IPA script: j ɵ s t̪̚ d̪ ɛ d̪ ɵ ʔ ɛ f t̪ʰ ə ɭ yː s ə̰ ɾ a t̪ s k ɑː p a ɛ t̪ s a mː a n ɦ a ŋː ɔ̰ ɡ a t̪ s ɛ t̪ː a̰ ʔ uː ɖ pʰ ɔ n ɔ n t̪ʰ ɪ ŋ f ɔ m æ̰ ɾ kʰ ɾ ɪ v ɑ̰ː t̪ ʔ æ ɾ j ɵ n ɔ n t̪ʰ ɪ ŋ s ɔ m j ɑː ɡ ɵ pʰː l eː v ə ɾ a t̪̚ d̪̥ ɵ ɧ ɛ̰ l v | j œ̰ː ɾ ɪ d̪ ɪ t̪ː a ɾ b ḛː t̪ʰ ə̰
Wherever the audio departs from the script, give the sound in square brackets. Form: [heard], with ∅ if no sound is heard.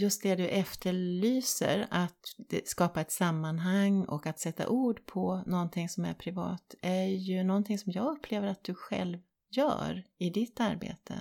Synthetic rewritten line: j ɵ s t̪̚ d̪ ɛ d̪ ɵ ʔ ɛ f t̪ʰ ə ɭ yː s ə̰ ɾ a t̪ s k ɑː p a ɛ t̪ s a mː a n ɦ a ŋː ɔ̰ [k] a t̪ s ɛ t̪ː a̰ ʔ uː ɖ pʰ ɔ n ɔ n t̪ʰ ɪ ŋ [s] ɔ m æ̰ ɾ [pʰ] ɾ ɪ v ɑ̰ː t̪ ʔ æ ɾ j ɵ n ɔ n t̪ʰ ɪ ŋ s ɔ m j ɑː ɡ ɵ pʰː l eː v ə ɾ a t̪̚ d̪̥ ɵ ɧ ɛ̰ l v | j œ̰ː ɾ ɪ d̪ ɪ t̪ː a ɾ b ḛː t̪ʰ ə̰